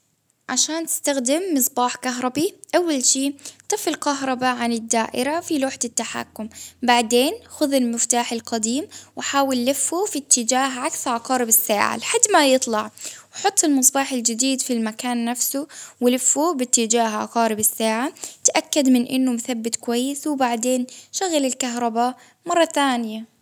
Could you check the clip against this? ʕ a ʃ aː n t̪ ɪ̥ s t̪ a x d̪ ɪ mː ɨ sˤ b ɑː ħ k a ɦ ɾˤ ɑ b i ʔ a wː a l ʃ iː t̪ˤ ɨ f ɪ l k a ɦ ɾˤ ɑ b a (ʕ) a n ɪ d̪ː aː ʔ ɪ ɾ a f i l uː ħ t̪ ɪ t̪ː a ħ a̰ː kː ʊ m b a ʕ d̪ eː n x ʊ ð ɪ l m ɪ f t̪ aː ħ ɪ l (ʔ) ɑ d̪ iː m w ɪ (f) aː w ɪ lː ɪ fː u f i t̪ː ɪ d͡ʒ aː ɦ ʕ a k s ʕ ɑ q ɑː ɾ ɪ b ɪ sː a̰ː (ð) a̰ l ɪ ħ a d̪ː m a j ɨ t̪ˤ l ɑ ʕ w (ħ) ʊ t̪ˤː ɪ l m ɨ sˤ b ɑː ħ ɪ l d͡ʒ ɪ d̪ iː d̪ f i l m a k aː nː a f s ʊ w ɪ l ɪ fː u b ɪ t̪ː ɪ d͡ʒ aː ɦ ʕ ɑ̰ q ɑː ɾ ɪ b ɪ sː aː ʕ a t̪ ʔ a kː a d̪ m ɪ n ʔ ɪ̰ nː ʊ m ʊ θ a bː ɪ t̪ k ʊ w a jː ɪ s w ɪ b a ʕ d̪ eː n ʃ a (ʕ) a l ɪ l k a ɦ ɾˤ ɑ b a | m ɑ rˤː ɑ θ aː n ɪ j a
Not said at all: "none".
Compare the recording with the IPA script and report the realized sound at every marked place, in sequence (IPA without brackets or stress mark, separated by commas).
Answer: ʕ, q, ħ, ʕ, ħ, ɣ